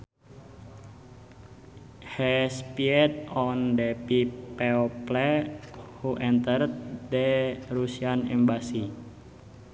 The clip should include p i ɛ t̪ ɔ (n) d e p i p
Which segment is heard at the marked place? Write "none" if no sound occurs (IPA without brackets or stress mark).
n